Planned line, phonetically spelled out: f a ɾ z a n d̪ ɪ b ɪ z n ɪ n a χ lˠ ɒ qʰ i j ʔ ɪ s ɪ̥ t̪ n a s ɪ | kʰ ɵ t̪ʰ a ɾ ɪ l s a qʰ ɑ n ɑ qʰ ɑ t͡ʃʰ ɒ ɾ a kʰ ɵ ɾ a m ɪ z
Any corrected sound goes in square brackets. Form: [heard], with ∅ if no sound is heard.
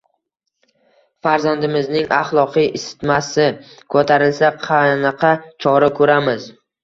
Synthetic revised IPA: f a ɾ z a n d̪ ɪ [m] ɪ z n ɪ [ŋ] a χ lˠ ɒ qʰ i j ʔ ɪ s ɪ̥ t̪ [m] a s ɪ | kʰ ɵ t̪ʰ a ɾ ɪ l s a qʰ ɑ n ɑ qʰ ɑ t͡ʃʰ ɒ ɾ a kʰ ɵ ɾ a m ɪ z